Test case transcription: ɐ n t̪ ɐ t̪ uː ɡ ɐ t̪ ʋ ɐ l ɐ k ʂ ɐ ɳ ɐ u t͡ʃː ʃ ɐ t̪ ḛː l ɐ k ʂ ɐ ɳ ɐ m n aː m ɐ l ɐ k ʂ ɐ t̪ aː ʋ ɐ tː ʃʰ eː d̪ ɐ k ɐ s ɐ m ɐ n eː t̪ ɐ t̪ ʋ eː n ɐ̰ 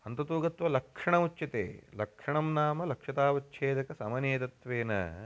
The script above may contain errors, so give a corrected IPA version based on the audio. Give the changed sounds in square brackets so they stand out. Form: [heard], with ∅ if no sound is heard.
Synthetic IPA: ɐ n t̪ ɐ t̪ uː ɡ ɐ t̪ ʋ ɐ l ɐ k ʂ ɐ ɳ ɐ u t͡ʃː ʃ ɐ t̪ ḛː l ɐ k ʂ ɐ ɳ ɐ m n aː m ɐ l ɐ k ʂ ɐ t̪ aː ʋ ɐ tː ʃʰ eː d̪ ɐ k ɐ s ɐ m ɐ n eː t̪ ɐ t̪ ʋ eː n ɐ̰